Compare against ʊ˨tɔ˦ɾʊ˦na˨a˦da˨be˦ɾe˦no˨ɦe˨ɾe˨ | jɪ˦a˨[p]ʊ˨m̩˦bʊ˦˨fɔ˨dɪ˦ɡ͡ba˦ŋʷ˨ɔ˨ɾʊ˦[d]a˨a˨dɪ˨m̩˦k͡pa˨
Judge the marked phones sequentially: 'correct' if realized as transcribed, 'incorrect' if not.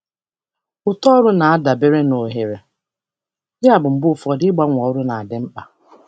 incorrect: b, incorrect: n

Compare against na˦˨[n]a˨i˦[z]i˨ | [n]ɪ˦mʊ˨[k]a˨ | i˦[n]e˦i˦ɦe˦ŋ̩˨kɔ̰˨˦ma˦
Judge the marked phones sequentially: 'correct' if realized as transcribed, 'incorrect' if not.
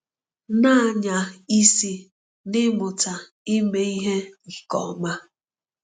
incorrect: ɲ, incorrect: s, correct, incorrect: t, incorrect: m

